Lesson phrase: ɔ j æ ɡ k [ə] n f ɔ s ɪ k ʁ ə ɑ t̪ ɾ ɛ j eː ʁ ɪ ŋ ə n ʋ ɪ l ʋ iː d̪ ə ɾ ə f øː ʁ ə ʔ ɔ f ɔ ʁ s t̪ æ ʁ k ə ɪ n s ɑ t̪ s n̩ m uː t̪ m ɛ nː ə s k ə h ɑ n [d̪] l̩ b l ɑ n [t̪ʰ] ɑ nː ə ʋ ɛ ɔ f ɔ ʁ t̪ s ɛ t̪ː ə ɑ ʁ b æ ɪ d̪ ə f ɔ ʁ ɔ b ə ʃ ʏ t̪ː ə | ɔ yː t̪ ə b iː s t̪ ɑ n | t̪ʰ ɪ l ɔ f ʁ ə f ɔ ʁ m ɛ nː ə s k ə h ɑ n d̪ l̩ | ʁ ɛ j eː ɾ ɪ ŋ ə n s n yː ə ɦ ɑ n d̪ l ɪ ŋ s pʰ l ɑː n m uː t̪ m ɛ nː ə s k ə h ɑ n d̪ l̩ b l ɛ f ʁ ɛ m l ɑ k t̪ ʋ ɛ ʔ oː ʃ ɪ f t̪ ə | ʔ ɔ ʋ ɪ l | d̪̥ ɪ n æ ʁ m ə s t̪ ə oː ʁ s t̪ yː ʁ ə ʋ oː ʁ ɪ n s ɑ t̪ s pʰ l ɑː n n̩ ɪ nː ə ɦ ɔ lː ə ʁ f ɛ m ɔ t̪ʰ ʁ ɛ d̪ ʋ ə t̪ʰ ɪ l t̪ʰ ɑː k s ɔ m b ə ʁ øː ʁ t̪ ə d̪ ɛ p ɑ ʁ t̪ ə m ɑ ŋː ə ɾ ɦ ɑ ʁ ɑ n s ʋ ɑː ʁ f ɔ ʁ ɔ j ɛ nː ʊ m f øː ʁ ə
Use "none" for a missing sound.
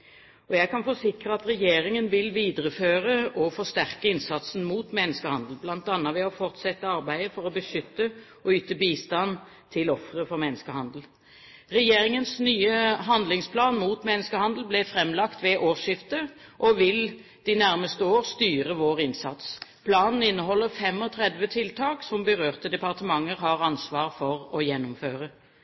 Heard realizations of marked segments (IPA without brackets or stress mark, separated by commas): ɑ, d̪, t̪